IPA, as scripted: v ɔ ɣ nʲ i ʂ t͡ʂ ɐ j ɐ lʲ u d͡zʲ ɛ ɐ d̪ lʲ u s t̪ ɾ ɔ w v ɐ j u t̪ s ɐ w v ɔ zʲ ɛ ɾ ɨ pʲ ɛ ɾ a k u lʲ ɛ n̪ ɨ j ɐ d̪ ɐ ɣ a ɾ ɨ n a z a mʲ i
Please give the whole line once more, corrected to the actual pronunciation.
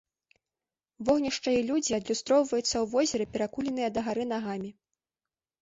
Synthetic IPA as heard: v ɔ ɣ nʲ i ʂ t͡ʂ ɐ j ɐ lʲ u d͡zʲ i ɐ d̪ lʲ u s t̪ ɾ ɔ w v ɐ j u t̪ sː ɐ w v ɔ zʲ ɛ ɾ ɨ pʲ ɛ ɾ a k u lʲ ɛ n̪ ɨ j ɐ d̪ ɐ ɣ a ɾ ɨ n a ɣ a mʲ i